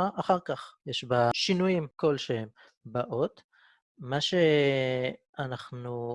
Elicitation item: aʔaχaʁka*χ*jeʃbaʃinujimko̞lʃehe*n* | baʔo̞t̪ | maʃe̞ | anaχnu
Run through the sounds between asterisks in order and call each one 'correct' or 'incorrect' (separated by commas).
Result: correct, incorrect